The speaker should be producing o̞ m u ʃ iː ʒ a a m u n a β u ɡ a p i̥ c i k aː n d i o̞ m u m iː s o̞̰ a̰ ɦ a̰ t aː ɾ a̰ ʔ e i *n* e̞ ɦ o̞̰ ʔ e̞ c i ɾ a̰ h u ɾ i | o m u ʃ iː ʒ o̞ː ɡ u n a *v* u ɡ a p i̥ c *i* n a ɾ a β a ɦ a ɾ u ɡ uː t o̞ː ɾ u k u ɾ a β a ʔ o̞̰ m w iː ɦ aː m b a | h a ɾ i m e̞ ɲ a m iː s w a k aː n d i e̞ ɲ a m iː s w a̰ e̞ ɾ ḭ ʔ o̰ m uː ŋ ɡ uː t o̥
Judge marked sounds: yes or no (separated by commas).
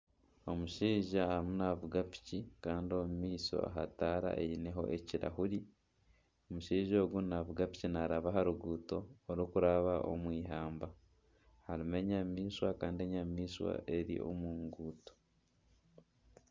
yes, no, yes